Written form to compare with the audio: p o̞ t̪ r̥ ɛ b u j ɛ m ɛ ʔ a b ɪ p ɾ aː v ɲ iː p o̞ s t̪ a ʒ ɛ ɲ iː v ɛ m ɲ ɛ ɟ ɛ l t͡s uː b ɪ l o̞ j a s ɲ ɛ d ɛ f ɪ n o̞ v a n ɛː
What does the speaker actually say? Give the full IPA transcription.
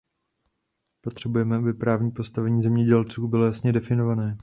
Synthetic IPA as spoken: p o̞ t̪ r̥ ɛ b u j ɛ m ɛ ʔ a b ɪ p ɾ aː v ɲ iː p o̞ s t̪ a v ɛ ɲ iː z ɛ m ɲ ɛ ɟ ɛ l t͡s uː b ɪ l o̞ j a s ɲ ɛ d ɛ f ɪ n o̞ v a n ɛː